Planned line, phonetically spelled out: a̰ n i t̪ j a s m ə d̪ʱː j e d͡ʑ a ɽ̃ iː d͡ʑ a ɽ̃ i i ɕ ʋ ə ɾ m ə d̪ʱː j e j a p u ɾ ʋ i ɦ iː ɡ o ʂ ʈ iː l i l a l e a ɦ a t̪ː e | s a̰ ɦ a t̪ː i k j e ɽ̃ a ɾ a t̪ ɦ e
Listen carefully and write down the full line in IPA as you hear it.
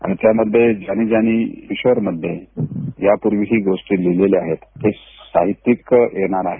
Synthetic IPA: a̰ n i t̪ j a m ə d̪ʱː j e d͡ʑ a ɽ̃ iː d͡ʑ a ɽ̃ i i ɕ ʋ ə ɾ m ə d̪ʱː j e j a p u ɾ ʋ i ɦ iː ɡ o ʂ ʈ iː l i l e l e a ɦ e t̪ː e | s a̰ ɦ i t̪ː i k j e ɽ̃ a ɾ a ɦ e